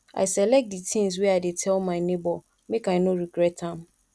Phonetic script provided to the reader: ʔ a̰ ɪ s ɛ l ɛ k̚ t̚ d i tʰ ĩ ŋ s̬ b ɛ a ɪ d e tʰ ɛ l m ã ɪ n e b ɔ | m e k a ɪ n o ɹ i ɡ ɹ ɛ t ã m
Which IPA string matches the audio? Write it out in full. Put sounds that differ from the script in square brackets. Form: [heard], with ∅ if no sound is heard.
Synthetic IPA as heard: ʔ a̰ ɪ s ɛ l ɛ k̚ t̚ d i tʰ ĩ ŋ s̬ [w] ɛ a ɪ d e tʰ ɛ l m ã ɪ n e b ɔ | m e k a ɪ n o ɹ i ɡ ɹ ɛ t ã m